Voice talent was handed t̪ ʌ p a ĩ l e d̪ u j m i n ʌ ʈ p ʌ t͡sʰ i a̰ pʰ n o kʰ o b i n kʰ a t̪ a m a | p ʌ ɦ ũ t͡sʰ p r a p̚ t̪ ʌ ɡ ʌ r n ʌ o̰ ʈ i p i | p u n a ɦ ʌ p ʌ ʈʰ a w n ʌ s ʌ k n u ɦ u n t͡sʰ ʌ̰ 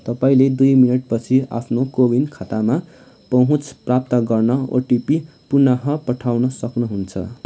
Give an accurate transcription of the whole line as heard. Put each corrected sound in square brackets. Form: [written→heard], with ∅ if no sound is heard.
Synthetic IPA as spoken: t̪ ʌ p a ĩ l e d̪ u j m i n ʌ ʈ p ʌ t͡sʰ i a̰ pʰ n o [kʰ→k] o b i n kʰ a t̪ a m a | p ʌ ɦ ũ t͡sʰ p r a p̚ t̪ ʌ ɡ ʌ r n ʌ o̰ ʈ i p i | p u n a ɦ ʌ p ʌ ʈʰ a w n ʌ s ʌ k n u ɦ u n t͡sʰ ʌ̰